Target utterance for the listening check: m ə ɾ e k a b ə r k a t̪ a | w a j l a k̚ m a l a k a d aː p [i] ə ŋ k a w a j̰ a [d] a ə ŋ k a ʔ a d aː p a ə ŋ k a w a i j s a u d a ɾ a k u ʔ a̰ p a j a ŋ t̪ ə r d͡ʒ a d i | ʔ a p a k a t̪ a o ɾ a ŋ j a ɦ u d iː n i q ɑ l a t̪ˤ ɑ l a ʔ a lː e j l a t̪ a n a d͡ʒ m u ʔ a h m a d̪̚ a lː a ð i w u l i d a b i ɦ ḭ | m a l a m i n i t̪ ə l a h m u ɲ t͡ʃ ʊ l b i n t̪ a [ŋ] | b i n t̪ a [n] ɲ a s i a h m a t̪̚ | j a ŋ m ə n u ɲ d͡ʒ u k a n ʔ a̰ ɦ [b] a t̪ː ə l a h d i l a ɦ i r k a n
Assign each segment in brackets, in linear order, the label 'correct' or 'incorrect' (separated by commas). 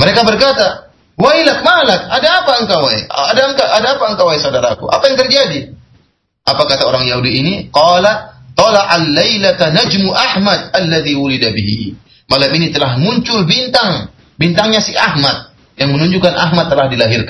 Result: incorrect, correct, correct, incorrect, incorrect